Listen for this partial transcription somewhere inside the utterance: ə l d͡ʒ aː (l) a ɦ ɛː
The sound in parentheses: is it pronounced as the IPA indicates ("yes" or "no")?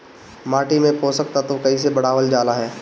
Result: yes